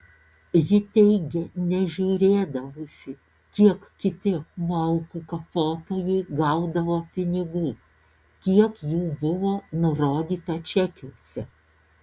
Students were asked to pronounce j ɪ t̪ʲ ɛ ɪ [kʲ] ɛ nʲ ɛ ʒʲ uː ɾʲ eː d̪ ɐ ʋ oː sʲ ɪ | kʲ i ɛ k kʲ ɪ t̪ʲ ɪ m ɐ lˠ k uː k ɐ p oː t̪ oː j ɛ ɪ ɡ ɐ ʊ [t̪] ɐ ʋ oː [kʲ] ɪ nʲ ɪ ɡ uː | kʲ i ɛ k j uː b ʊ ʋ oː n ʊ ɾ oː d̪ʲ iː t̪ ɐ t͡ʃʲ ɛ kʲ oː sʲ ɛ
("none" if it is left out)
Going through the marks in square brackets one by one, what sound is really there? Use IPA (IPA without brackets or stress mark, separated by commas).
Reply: ɡʲ, d̪, pʲ